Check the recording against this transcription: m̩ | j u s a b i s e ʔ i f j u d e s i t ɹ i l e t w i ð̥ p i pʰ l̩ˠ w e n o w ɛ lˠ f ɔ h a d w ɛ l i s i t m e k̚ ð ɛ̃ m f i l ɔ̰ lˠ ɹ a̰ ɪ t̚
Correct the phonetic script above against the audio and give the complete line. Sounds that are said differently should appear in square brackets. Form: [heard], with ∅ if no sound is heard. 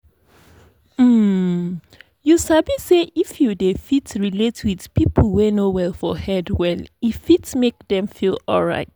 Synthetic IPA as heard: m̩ | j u s a b i s e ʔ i f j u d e [f] i t ɹ i l e t w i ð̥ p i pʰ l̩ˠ w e n o w ɛ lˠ f ɔ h [ɛ] d w ɛ l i [f] i t m e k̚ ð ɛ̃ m f i l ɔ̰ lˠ ɹ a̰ ɪ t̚